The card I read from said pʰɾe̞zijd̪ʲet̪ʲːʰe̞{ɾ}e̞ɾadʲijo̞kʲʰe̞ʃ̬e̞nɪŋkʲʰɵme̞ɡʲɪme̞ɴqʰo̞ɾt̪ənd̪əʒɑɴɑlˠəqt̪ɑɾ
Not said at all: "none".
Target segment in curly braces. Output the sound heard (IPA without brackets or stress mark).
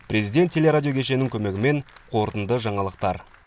l